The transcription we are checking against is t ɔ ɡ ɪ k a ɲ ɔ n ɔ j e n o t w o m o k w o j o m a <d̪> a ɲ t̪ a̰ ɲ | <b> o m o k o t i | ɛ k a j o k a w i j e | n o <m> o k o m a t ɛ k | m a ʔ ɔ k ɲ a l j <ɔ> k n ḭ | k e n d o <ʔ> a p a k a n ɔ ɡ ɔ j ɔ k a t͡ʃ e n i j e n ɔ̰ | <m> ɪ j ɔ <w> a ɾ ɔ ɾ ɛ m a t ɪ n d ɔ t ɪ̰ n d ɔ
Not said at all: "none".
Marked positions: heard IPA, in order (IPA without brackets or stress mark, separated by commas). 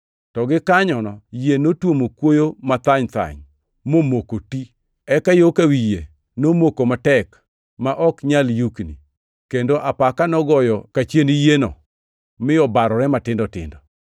t̪, m, m, u, ʔ, m, b